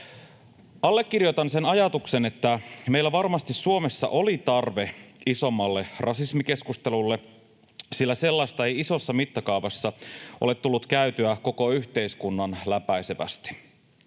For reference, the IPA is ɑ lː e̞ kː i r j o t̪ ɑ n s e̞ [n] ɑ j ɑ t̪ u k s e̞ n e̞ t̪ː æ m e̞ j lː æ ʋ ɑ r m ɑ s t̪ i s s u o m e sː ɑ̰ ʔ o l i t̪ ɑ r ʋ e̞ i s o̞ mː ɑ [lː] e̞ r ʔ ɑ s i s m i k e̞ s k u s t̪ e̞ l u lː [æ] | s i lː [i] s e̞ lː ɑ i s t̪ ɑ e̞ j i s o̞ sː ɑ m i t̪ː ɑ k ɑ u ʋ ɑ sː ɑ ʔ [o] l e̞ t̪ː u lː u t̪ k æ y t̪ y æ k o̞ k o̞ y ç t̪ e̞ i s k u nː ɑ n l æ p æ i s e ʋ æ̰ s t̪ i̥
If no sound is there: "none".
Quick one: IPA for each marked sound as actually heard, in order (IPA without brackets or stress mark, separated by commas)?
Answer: n, lː, e, æ, o